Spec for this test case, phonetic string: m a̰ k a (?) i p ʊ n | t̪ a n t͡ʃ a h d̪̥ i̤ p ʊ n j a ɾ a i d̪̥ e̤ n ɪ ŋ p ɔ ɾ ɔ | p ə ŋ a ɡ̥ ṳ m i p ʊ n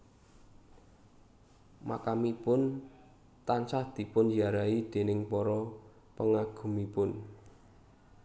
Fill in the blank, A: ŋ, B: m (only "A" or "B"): B